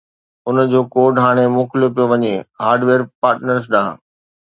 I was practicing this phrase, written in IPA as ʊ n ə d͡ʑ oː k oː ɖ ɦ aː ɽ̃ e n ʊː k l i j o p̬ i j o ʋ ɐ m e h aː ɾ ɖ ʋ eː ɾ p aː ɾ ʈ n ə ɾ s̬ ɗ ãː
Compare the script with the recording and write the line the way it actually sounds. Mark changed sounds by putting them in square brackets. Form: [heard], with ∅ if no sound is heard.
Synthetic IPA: ʊ n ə d͡ʑ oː k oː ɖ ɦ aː ɽ̃ e [m] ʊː k l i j o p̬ i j o ʋ ɐ [ɲ] e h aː ɾ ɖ ʋ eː ɾ p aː ɾ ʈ n ə ɾ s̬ ɗ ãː